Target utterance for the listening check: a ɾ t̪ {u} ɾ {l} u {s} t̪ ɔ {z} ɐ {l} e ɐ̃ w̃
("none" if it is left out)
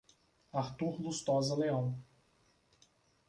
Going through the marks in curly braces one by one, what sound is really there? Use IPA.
u, l, s, z, l

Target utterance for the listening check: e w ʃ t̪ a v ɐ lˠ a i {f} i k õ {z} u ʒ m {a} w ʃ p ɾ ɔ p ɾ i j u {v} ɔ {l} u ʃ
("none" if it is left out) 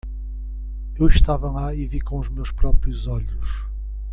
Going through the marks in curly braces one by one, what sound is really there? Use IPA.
v, none, e, z, ʎ

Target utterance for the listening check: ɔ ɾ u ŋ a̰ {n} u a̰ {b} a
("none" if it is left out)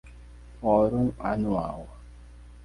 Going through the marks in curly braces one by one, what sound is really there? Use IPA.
n, w

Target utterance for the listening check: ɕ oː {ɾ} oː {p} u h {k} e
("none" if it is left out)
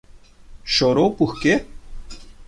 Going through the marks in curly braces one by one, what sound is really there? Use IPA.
ɾ, p, k

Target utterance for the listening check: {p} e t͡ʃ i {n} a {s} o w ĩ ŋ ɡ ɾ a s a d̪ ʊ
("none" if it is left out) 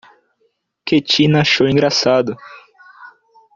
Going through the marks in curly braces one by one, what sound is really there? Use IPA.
k, n, ʃ

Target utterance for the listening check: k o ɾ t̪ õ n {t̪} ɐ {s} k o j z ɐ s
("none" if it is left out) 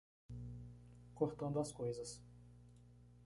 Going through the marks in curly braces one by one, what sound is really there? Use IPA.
d̪, s

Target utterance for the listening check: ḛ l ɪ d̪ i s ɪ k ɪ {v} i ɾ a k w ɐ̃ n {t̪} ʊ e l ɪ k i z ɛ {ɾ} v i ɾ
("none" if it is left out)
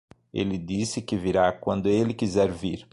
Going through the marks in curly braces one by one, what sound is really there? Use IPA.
v, d̪, ɾ

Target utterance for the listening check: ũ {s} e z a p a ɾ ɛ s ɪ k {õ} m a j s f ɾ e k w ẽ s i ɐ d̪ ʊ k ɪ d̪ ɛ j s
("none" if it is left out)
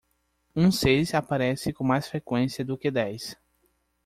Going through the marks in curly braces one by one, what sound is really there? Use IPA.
s, õ

